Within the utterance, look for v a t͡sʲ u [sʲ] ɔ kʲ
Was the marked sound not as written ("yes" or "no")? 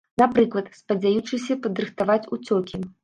yes